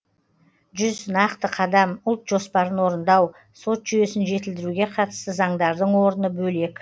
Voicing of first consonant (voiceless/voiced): voiced